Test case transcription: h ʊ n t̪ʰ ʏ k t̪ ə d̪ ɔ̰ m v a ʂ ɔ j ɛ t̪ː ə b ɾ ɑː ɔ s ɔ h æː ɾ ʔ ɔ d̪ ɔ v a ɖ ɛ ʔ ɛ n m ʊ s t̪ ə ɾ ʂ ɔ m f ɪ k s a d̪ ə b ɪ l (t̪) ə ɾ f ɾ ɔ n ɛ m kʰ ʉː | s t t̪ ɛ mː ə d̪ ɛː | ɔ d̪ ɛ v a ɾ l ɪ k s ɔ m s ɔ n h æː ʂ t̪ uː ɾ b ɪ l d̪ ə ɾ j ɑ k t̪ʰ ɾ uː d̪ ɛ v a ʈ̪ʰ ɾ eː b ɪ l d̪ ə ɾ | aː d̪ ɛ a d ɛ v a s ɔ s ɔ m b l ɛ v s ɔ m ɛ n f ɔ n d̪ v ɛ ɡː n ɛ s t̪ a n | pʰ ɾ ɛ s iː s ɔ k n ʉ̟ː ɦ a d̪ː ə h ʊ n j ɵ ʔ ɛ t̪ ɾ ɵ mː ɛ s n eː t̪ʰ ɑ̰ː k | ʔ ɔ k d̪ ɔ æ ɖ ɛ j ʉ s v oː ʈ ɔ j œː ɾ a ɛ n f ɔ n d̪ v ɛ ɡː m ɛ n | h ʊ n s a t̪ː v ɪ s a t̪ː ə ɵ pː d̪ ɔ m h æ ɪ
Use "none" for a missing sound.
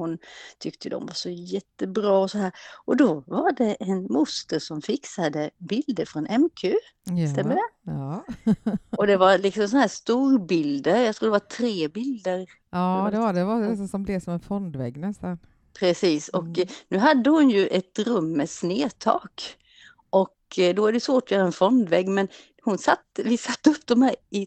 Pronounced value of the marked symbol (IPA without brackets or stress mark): d̪